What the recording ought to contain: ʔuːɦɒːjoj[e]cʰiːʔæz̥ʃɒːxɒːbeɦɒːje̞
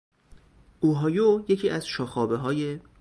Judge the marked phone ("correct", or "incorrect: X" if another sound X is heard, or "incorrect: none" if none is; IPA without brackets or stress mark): correct